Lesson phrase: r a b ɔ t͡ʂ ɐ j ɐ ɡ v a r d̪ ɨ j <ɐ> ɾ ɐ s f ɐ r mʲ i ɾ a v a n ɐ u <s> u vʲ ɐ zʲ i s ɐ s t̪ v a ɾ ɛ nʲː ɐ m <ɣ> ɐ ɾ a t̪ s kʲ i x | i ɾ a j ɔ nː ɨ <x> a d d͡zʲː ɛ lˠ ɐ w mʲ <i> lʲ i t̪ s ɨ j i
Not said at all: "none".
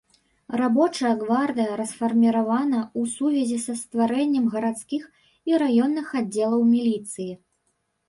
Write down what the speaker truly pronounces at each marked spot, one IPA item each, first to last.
ɐ, s, ɣ, x, i

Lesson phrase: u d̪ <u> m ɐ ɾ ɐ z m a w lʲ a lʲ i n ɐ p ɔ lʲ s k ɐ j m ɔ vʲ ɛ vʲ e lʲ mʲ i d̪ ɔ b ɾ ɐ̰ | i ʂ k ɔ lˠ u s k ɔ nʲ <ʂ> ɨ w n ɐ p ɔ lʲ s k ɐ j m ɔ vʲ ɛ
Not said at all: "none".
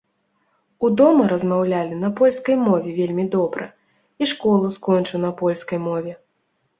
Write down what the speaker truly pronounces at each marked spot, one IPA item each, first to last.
ɔ, t͡ʂ

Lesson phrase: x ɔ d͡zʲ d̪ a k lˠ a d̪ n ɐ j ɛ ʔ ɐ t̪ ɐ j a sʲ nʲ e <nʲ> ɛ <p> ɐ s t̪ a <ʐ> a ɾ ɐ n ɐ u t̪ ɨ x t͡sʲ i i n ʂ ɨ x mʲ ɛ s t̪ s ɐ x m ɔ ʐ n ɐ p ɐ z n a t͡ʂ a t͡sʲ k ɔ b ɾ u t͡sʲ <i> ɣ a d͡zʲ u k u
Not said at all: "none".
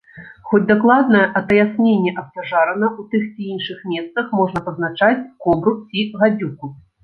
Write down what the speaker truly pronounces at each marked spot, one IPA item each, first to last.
nʲː, ʔ, ʐ, i

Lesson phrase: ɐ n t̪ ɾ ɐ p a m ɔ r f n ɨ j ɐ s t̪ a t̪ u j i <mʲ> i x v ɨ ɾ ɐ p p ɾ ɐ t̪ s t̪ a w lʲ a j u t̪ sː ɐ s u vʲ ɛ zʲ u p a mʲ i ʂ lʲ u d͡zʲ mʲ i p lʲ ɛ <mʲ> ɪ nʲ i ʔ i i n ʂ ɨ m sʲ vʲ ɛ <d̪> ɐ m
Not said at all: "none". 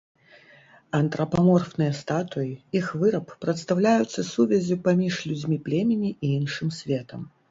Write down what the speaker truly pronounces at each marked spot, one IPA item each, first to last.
none, mʲ, t̪

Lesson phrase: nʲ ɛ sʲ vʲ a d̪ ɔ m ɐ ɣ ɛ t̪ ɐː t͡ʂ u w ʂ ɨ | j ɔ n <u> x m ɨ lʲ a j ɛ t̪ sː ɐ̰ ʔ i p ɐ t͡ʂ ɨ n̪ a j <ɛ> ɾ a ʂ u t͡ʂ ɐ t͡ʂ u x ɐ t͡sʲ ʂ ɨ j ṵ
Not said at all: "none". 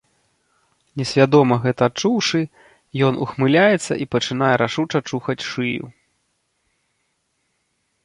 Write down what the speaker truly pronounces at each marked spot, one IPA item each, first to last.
u, ɛ

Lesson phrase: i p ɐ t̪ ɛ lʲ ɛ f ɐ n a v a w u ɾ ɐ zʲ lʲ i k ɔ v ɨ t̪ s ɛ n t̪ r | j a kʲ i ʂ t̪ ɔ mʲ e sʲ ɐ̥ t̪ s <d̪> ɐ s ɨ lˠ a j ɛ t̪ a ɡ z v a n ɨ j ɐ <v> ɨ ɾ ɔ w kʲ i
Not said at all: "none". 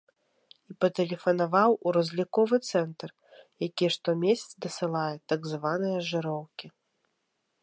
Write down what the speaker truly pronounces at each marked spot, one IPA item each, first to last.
d̪, ʐ

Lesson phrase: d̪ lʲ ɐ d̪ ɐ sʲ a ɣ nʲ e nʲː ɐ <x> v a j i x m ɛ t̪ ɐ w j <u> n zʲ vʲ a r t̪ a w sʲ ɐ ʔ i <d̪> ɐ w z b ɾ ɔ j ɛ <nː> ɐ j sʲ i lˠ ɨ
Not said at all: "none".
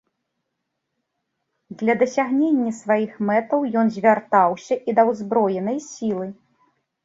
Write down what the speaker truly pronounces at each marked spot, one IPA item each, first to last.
s, ɔ, d̪, n

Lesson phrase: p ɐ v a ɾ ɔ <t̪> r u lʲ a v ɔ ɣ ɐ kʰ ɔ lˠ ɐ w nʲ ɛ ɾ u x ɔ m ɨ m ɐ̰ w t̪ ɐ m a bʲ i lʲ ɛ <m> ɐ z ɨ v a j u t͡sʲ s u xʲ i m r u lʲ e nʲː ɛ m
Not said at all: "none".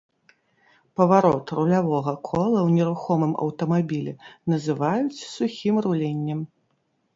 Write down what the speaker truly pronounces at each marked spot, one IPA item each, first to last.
t̪, n

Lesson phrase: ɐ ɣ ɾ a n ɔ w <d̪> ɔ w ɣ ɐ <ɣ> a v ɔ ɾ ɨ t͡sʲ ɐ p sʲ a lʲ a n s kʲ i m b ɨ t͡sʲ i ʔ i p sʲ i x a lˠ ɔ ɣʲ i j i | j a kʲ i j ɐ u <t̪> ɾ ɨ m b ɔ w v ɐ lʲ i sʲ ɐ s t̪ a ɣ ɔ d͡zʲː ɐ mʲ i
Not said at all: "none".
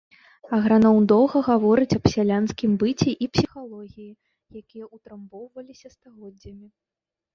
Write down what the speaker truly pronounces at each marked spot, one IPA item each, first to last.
d̪, ɣ, t̪

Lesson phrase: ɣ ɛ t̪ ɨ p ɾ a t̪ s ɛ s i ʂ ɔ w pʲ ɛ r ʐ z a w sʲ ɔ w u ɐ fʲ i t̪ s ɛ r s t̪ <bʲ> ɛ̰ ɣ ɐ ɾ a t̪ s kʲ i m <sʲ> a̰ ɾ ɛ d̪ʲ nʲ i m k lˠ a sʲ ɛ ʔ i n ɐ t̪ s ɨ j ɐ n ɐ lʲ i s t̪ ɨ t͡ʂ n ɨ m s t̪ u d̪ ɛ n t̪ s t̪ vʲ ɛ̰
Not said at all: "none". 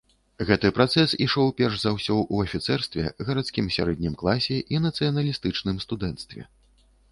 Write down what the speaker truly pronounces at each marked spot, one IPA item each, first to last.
vʲ, sʲ

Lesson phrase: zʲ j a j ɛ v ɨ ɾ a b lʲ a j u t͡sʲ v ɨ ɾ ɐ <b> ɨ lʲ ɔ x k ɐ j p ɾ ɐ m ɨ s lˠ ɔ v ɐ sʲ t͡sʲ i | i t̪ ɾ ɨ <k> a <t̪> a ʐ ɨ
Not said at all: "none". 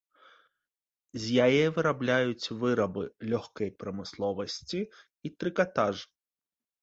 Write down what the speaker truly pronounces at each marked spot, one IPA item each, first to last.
b, k, t̪

